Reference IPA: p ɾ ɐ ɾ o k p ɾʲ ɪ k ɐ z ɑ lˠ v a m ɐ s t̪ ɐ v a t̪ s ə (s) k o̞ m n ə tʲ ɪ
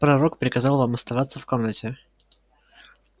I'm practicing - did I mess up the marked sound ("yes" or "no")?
yes